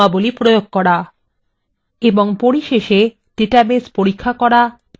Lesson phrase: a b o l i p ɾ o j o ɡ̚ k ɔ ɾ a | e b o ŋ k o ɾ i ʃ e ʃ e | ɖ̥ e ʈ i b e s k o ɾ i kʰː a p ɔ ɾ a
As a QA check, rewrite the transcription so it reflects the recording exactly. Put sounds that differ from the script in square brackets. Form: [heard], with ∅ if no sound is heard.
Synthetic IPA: a b o l i p ɾ o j o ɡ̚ k ɔ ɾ a | e b o ŋ [p] o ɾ i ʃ e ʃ e | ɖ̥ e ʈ [a] b e s [p] o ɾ i kʰː a [k] ɔ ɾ a